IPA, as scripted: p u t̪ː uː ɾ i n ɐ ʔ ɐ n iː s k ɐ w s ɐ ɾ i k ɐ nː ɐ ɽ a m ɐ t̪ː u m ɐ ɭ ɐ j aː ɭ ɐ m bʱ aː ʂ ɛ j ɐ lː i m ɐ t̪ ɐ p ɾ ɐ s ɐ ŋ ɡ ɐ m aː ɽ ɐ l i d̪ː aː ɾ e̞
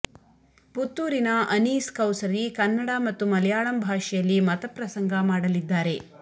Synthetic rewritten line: p u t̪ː uː ɾ i n ɐ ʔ ɐ n iː s k ɐ w s ɐ ɾ i k ɐ nː ɐ ɽ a m ɐ t̪ː u m ɐ l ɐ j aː ɭ ɐ m bʱ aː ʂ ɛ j ɐ lː i m ɐ t̪ ɐ p ɾ ɐ s ɐ ŋ ɡ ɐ m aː ɽ ɐ l i d̪ː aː ɾ e̞